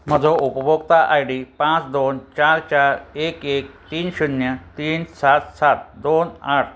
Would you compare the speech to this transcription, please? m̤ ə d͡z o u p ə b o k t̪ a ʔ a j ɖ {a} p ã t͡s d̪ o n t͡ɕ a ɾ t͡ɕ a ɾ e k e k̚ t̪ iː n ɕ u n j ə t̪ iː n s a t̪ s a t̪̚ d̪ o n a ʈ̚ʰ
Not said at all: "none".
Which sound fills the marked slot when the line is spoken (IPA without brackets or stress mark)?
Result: i